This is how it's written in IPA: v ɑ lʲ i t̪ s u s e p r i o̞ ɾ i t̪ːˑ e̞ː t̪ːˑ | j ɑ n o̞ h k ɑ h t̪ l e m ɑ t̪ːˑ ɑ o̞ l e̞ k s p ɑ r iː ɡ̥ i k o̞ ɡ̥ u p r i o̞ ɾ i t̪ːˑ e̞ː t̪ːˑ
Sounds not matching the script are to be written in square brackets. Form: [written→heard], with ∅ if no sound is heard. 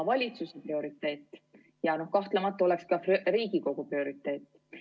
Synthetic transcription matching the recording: v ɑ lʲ i t̪ s u s e p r i o̞ ɾ i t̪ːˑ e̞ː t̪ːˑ | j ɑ n o̞ h k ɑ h t̪ l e m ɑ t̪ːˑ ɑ o̞ l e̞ k s [p→k] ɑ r iː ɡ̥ i k o̞ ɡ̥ u p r i o̞ ɾ i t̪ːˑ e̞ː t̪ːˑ